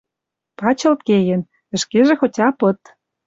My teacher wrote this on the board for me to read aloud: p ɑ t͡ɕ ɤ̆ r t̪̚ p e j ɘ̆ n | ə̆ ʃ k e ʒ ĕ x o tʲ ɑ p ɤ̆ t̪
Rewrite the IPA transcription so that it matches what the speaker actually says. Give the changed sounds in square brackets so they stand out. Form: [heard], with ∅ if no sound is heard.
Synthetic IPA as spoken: p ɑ t͡ɕ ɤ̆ [l] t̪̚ [k] e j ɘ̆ n | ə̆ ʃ k e ʒ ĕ x o tʲ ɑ p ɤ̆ t̪